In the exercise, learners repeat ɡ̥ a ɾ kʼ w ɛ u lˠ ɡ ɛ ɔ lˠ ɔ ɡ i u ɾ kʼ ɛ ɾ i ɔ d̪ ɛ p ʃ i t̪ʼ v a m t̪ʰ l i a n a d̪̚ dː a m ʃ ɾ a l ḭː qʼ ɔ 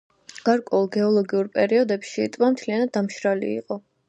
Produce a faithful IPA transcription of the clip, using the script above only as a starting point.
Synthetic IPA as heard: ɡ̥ a ɾ kʼ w ɛ u lˠ ɡ ɛ ɔ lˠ ɔ ɡ i u ɾ pʼ ɛ ɾ i ɔ d̪ ɛ p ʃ i t̪ʼ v a m t̪ʰ l i a n a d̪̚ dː a m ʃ ɾ a l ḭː qʼ ɔ